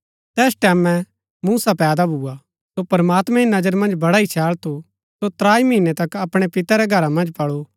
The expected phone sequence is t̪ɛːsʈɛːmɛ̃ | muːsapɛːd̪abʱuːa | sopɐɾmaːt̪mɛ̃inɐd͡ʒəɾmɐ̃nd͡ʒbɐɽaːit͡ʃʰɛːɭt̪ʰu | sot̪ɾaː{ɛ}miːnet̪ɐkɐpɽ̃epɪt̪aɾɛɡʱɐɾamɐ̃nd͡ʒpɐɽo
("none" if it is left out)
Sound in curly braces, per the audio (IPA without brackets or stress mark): i